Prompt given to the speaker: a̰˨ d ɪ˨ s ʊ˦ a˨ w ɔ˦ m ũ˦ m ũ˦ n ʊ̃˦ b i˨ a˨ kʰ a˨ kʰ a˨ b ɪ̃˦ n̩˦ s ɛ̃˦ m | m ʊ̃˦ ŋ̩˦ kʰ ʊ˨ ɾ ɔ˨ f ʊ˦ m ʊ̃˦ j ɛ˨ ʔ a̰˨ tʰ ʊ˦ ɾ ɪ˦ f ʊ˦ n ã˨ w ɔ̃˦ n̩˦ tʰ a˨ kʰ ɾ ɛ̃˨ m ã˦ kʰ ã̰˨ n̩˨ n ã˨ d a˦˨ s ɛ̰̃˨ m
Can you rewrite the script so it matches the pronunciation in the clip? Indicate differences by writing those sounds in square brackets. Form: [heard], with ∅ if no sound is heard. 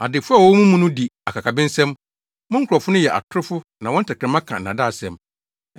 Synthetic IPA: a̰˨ d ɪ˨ [f] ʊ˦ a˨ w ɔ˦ m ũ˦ m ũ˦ n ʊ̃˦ [d] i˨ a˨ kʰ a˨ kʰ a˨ b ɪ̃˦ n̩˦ s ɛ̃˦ m | m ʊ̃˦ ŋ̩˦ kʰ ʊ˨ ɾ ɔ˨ f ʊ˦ [n] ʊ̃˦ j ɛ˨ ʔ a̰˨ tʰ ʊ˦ ɾ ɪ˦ f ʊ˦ n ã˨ w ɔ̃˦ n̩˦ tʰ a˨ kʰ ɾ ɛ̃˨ m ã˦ kʰ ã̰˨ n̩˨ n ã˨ d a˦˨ s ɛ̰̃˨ m